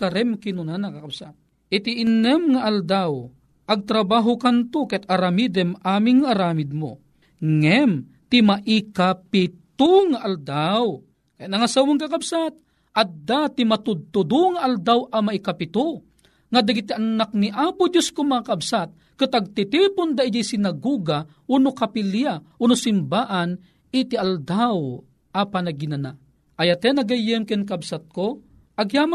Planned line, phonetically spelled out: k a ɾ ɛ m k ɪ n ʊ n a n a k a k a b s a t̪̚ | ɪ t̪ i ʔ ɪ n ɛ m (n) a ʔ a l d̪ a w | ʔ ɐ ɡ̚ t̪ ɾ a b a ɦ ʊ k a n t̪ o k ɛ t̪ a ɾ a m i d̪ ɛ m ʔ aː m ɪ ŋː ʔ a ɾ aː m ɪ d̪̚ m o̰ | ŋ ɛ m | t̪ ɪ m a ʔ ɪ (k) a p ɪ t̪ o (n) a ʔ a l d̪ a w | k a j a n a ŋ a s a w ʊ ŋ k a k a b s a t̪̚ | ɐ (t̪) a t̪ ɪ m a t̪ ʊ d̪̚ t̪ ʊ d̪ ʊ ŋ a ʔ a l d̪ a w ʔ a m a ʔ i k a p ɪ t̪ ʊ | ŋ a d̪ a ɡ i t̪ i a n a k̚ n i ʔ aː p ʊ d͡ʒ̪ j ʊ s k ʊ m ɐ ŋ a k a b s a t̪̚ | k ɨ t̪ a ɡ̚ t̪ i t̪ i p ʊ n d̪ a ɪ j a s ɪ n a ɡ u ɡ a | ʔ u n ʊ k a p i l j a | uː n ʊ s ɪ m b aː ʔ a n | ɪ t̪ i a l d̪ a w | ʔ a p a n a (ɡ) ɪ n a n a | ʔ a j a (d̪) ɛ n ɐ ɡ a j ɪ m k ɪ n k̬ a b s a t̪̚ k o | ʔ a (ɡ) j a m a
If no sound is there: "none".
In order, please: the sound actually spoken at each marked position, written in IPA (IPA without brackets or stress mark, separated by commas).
ŋ, k, ŋ, d̪, ɡ, t̪, ɡ